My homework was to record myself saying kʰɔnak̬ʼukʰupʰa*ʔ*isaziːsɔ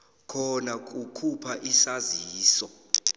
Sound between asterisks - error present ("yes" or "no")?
no